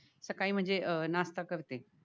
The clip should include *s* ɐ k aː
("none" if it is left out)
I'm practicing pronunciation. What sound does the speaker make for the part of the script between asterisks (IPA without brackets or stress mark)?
s